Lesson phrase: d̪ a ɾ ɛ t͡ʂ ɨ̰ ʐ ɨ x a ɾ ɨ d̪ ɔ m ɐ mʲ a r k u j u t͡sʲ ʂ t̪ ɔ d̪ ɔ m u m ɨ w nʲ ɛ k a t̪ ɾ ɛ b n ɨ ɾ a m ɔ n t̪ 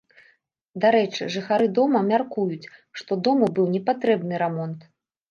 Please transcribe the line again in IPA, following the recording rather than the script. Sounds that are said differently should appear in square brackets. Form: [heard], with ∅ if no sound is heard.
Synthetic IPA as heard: d̪ a ɾ ɛ t͡ʂ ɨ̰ ʐ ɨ x a ɾ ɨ d̪ ɔ m ɐ mʲ a r k u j u t͡sʲ ʂ t̪ ɔ d̪ ɔ m u [b] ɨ w nʲ ɛ [p] a t̪ ɾ ɛ b n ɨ ɾ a m ɔ n t̪

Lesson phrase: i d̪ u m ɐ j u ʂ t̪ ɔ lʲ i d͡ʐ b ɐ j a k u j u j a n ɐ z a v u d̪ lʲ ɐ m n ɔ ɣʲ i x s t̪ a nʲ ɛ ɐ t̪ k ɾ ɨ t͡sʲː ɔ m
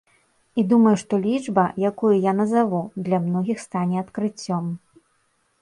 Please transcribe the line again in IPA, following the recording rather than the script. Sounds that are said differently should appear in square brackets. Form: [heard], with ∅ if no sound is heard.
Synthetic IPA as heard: i d̪ u m ɐ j u ʂ t̪ ɔ lʲ i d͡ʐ b ɐ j a k u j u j a n ɐ z a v u d̪ lʲ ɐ m n ɔ ɣʲ i x s t̪ a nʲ ɛ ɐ t̪ k ɾ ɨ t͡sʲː ɔ m

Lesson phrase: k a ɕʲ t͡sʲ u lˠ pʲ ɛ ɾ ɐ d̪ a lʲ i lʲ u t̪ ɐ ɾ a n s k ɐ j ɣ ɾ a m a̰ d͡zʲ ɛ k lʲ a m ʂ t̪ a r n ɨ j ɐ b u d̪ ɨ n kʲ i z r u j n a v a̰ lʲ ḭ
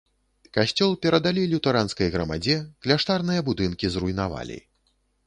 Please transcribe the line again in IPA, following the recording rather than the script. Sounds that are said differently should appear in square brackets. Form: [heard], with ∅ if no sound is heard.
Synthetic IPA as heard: k a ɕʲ t͡sʲ [ɔ] lˠ pʲ ɛ ɾ ɐ d̪ a lʲ i lʲ u t̪ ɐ ɾ a n s k ɐ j ɣ ɾ [ɐ] m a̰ d͡zʲ ɛ k lʲ a [∅] ʂ t̪ a r n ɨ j ɐ b u d̪ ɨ n kʲ i z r u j n a v a̰ lʲ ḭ

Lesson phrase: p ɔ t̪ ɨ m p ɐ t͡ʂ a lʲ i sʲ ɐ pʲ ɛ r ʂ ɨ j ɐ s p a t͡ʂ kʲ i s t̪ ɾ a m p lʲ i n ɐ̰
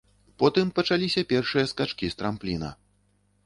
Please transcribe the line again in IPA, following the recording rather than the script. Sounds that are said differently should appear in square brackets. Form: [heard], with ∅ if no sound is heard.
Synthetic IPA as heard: p ɔ t̪ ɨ m p ɐ t͡ʂ a lʲ i sʲ ɐ pʲ ɛ r ʂ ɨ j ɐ s [k] a t͡ʂ kʲ i s t̪ ɾ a m p lʲ i n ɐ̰

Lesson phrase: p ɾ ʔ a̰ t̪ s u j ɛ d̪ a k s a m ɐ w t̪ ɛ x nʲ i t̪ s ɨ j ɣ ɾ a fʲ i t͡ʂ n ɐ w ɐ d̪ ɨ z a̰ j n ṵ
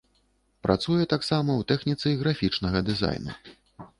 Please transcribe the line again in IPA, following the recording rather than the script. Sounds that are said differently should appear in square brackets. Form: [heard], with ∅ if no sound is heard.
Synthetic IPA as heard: p ɾ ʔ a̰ t̪ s u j ɛ [t̪] a k s a m ɐ w t̪ ɛ x nʲ i t̪ s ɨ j ɣ ɾ a fʲ i t͡ʂ n ɐ [ɣ] ɐ d̪ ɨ z a̰ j n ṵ

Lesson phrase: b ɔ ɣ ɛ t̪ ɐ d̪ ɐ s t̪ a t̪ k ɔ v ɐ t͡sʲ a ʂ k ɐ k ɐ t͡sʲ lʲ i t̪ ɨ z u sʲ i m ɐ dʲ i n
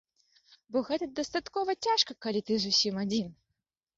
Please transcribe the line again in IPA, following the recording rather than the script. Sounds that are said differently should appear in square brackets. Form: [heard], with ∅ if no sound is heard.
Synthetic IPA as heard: b ɔ ɣ ɛ t̪ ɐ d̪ ɐ s t̪ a t̪ k ɔ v ɐ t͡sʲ a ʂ k ɐ k ɐ [∅] lʲ i t̪ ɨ z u sʲ i m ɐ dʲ i n

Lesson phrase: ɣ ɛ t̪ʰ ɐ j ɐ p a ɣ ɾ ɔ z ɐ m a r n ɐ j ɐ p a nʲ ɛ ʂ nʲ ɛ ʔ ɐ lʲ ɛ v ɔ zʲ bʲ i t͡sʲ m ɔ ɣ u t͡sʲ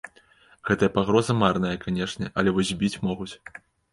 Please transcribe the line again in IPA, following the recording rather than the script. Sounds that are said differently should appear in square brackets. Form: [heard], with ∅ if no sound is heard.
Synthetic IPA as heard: ɣ ɛ [t̪] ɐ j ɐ p a ɣ ɾ ɔ z ɐ m a r n ɐ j ɐ [k] a nʲ ɛ ʂ nʲ ɛ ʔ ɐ lʲ ɛ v ɔ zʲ bʲ i t͡sʲ m ɔ ɣ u t͡sʲ

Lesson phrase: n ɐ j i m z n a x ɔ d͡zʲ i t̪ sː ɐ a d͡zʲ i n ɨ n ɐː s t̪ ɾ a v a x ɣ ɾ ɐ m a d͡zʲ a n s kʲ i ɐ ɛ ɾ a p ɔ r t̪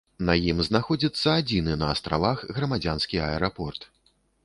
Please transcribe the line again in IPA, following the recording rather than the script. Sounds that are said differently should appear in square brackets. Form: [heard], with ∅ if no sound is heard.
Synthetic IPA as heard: n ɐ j i m z n a x ɔ d͡zʲ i t̪ sː ɐ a d͡zʲ i n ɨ n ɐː s t̪ ɾ a v a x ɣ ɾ ɐ m a d͡zʲ a n s kʲ i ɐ ɛ ɾ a p ɔ r t̪

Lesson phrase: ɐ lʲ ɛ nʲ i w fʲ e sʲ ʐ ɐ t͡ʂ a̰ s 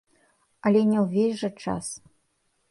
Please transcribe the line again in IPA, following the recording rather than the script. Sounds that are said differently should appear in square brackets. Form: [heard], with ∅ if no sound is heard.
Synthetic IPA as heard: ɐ lʲ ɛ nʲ [ɛ] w [vʲ] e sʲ ʐ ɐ t͡ʂ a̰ s

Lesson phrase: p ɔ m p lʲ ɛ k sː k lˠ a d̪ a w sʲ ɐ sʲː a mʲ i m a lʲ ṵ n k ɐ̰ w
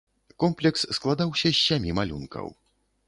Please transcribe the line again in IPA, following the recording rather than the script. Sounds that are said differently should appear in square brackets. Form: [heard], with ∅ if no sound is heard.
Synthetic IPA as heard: [k] ɔ m p lʲ ɛ k sː k lˠ a d̪ a w sʲ ɐ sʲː a mʲ i m a lʲ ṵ n k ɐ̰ w

